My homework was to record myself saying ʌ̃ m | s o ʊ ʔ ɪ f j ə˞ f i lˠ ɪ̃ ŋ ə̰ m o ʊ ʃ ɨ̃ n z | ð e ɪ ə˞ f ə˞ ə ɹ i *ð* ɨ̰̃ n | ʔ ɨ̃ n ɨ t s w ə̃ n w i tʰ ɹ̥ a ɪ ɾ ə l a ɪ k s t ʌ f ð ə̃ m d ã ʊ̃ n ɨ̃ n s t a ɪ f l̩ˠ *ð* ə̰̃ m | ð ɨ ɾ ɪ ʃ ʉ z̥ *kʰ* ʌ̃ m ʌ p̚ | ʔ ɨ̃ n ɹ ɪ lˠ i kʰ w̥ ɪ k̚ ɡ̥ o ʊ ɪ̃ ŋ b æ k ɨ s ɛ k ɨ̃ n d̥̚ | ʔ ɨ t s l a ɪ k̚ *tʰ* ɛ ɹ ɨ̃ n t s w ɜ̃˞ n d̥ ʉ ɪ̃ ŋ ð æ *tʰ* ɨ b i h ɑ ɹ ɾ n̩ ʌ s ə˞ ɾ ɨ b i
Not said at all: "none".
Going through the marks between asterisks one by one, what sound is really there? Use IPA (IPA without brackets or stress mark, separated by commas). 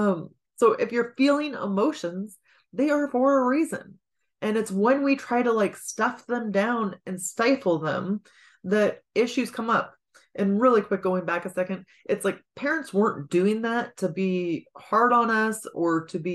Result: z, ð, kʰ, pʰ, tʰ